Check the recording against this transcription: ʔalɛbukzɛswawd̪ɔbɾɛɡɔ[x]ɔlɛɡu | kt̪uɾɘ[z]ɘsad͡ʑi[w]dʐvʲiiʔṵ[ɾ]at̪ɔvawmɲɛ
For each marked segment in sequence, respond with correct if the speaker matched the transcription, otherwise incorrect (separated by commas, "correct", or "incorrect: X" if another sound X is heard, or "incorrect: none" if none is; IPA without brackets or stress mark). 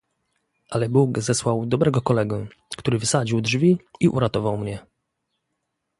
incorrect: k, incorrect: v, correct, correct